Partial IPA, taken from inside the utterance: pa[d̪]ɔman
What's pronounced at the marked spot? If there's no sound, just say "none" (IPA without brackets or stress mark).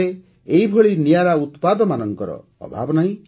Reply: d̪